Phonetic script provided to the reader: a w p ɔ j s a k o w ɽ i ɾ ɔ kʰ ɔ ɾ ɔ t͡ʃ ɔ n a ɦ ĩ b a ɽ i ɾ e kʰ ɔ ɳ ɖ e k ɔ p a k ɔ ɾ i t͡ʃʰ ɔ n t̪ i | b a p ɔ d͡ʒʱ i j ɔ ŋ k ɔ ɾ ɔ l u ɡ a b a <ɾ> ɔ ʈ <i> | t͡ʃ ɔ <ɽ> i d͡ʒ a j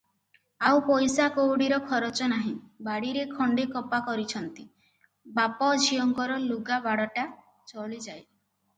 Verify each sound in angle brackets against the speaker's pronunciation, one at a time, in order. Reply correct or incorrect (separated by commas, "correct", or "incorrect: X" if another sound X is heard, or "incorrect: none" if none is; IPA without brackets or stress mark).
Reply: incorrect: ɽ, incorrect: a, incorrect: ɭ